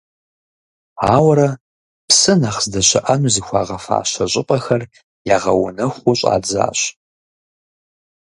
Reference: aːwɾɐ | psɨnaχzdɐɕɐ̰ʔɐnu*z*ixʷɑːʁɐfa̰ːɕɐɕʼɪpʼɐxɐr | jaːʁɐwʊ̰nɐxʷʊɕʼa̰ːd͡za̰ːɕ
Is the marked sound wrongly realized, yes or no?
no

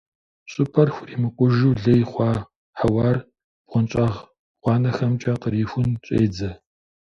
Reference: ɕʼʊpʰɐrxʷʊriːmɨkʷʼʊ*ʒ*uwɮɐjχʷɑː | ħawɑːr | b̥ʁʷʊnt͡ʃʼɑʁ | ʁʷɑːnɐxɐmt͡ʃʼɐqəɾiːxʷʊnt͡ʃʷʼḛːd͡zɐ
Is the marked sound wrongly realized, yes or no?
no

